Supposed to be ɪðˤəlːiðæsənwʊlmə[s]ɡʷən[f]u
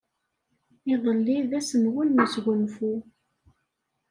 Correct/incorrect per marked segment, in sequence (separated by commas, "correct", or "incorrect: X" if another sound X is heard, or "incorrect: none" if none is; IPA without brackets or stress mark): correct, correct